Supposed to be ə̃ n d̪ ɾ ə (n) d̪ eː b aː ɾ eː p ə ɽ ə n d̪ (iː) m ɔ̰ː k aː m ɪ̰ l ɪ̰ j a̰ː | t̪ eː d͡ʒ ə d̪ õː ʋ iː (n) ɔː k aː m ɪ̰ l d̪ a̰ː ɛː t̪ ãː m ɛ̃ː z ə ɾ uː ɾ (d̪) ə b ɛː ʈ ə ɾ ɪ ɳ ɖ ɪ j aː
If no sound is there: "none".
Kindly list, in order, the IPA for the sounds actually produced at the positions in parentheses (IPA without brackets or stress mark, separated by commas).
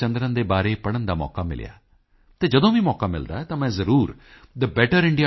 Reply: n, aː, m, d̪